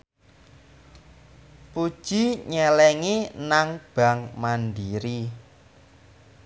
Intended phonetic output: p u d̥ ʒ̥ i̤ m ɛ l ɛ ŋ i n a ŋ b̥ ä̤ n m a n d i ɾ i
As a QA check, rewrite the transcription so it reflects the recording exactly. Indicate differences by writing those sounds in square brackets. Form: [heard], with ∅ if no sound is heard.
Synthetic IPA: p u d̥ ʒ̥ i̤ [ɲ] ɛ l ɛ ŋ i n a ŋ b̥ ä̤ [ŋ] m a n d i ɾ i

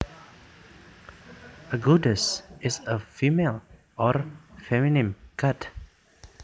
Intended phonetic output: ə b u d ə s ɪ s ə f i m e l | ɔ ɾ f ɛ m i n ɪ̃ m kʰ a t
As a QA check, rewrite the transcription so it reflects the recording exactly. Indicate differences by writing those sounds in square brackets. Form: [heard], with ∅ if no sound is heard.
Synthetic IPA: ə [ɡ] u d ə s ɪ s ə f i m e l | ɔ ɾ f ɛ m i n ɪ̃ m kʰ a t

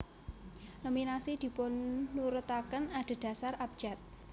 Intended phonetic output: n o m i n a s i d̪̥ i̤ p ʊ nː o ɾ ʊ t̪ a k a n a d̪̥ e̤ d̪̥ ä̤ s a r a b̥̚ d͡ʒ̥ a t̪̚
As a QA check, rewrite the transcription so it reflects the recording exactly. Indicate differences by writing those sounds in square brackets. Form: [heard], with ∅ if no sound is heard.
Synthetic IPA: n o m i n a s i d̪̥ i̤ p ʊ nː [u] ɾ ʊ t̪ a k [ə] n a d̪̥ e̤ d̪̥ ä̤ s a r a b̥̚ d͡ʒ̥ a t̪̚

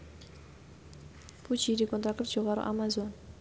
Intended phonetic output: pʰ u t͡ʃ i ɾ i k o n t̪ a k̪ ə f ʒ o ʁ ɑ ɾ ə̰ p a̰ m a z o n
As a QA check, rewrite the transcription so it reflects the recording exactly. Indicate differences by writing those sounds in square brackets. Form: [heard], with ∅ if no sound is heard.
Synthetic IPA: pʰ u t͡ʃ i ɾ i k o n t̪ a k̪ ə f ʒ o ʁ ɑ ɾ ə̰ [ʔ] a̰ m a z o n

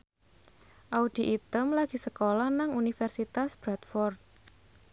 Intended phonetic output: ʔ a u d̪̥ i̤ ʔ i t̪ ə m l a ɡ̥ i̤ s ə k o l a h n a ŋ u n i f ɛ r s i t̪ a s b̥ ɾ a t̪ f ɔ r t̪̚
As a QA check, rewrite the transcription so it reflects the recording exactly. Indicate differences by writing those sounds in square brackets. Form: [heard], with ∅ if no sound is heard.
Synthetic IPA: ʔ a u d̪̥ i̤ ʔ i t̪ ə m l a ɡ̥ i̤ s ə k o l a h n a ŋ u n i f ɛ r s i t̪ a s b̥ ɾ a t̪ f ɔ r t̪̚

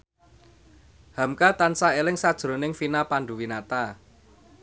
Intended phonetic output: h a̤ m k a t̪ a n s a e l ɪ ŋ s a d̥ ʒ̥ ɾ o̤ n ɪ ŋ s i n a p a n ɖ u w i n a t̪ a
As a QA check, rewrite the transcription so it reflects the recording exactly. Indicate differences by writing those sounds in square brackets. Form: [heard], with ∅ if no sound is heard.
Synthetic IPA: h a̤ m k a t̪ a n s a e l ɪ ŋ s a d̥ ʒ̥ ɾ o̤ n ɪ ŋ [f] i n a p a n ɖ u w i n a t̪ a

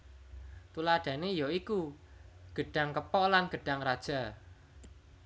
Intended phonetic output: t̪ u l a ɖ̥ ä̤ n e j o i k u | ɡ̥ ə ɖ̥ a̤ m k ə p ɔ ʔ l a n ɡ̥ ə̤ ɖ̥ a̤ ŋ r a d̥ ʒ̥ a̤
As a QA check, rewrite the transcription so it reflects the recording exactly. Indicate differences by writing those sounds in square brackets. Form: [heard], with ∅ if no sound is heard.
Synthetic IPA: t̪ u l a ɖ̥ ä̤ n e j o i k u | ɡ̥ ə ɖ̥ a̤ [ŋ] k ə p ɔ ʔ l a n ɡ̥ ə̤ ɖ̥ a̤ ŋ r a d̥ ʒ̥ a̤

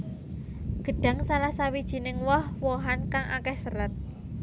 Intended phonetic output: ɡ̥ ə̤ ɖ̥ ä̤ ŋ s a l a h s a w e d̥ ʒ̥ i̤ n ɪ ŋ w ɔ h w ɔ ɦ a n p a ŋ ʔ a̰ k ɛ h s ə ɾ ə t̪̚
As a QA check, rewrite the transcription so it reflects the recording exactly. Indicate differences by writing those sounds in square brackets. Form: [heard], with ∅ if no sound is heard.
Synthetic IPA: ɡ̥ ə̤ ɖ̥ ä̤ ŋ s a l a h s a w [i] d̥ ʒ̥ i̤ n ɪ ŋ w ɔ h w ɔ ɦ a n [k] a ŋ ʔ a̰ k ɛ h s ə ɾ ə t̪̚

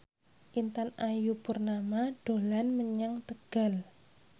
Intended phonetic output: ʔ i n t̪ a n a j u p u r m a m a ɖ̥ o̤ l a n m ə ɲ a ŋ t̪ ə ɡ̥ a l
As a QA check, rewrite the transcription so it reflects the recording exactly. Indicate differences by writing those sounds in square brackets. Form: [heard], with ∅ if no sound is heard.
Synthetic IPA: ʔ i n t̪ a n a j u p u r [n] a m a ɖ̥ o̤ l a n m ə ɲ a ŋ t̪ ə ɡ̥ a l

